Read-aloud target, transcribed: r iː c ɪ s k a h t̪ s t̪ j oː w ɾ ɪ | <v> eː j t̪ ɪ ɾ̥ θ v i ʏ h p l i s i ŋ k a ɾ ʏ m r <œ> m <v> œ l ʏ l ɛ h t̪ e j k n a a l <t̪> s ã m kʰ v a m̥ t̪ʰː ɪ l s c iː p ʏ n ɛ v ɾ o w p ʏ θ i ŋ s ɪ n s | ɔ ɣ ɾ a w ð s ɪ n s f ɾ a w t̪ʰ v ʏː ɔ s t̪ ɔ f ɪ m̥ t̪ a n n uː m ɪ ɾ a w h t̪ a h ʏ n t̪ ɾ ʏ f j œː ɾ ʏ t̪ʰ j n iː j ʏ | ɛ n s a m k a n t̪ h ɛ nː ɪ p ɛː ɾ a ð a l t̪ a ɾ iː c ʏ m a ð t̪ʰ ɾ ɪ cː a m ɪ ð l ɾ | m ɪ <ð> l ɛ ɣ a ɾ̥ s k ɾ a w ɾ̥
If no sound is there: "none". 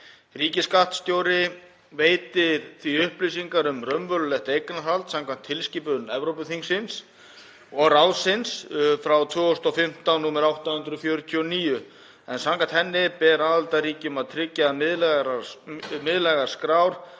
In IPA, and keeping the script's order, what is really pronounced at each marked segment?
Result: v, œ, v, t̪, ð

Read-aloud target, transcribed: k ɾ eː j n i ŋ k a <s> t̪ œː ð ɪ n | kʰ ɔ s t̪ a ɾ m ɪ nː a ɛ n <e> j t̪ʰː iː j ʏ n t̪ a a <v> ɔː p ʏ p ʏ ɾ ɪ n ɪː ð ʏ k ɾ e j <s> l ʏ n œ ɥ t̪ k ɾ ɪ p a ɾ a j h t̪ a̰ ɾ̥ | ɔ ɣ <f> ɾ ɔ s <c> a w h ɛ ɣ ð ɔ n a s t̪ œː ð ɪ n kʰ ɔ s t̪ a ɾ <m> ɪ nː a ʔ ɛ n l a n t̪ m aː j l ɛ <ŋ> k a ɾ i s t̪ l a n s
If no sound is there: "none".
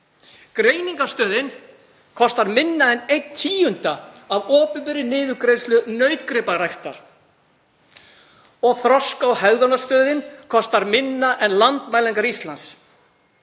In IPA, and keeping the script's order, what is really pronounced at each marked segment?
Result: s, e, v, s, θ, k, m, ŋ

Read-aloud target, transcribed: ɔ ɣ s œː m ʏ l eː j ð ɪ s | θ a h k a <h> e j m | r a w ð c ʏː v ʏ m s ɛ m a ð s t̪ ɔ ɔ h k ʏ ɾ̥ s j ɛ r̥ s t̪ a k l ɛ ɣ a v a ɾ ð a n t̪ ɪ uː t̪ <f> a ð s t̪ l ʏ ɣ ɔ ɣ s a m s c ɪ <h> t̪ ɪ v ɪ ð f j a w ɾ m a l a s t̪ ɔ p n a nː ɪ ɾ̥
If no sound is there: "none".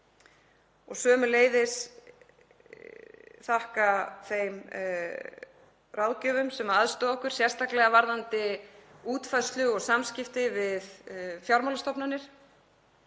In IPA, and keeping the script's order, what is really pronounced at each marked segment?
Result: θ, f, f

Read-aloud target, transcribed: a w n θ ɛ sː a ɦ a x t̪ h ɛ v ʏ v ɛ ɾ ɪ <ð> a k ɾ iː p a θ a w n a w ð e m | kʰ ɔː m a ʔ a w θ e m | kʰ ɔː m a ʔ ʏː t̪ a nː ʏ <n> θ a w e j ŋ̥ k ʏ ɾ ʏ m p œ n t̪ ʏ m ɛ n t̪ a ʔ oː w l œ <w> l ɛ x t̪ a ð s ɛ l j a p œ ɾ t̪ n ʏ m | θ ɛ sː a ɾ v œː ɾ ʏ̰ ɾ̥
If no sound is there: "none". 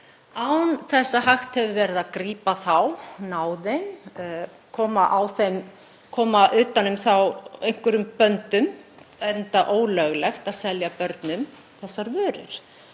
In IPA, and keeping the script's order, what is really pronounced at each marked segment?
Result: ð, m, ɣ

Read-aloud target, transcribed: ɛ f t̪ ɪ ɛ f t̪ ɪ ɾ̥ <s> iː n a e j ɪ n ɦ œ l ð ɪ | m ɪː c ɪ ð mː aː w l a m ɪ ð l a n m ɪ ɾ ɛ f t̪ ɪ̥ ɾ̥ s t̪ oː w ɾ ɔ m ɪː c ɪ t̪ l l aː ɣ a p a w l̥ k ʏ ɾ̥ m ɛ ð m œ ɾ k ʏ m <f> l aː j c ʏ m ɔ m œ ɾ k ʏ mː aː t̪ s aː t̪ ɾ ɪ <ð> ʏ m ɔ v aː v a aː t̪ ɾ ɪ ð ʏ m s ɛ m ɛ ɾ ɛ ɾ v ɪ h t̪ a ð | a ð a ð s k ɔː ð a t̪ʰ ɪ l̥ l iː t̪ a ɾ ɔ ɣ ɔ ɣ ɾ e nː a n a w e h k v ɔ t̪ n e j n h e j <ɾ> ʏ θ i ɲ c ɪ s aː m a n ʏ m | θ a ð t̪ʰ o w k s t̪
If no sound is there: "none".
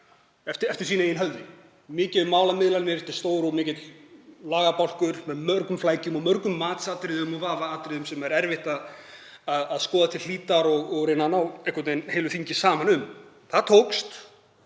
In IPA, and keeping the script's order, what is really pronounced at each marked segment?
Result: s, f, ð, l

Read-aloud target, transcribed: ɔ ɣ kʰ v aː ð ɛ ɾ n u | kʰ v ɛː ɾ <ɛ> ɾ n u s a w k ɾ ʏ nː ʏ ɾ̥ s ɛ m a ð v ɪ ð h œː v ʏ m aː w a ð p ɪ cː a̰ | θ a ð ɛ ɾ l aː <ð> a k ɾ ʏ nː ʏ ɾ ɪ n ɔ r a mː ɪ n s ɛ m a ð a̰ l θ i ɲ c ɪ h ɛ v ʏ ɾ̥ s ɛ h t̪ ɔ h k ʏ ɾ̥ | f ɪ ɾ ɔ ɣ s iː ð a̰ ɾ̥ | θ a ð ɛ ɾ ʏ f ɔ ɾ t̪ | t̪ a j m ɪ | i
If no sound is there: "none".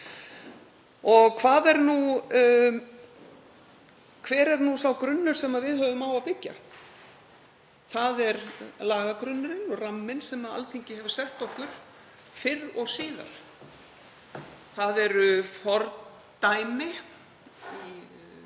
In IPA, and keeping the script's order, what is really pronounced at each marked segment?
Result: ɛ, ɣ

